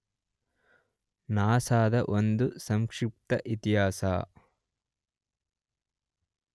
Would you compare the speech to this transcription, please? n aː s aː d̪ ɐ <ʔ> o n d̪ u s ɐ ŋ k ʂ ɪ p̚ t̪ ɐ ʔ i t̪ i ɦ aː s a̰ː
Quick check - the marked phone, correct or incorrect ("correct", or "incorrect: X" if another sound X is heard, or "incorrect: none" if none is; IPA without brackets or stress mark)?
correct